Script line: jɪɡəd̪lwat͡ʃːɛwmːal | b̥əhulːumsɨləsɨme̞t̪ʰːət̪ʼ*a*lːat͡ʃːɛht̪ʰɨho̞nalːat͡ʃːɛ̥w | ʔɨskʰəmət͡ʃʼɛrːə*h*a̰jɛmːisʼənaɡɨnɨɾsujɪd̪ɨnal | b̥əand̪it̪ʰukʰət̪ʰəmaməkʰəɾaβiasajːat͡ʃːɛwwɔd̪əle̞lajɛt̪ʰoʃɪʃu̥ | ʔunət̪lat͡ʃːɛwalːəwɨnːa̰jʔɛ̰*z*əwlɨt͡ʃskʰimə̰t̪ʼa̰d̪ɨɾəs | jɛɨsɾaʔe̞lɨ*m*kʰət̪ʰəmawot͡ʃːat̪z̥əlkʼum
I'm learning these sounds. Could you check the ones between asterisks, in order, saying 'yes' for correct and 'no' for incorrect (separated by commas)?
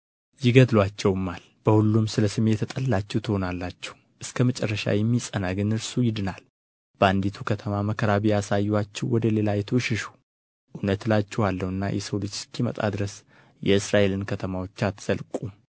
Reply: no, no, no, no